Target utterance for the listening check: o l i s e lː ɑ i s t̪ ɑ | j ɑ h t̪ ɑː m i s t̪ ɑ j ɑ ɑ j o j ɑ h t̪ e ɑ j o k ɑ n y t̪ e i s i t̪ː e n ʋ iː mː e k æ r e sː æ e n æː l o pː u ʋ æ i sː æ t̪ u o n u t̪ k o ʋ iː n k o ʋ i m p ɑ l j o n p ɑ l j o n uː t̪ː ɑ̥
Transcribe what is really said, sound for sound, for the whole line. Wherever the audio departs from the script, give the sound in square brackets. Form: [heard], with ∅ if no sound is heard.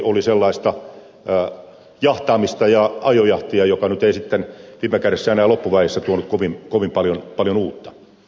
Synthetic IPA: o l i s e lː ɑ i s t̪ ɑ | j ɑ h t̪ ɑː m i s t̪ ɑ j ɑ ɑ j o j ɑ h t̪ [i] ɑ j o k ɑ n y t̪ e i s i t̪ː e n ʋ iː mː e k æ r e sː æ e n æː l o pː u ʋ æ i sː æ t̪ u o n u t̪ k o ʋ [i] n k o ʋ i m p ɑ l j o n p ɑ l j o n uː t̪ː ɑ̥